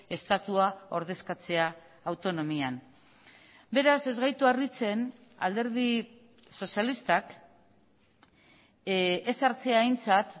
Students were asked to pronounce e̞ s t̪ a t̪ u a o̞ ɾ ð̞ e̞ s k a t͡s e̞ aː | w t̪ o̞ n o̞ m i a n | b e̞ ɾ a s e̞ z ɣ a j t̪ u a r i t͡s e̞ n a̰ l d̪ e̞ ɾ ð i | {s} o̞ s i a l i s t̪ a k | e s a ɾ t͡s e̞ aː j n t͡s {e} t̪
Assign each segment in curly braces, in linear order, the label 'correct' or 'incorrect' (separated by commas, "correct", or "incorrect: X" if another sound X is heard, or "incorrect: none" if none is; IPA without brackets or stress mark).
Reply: correct, incorrect: a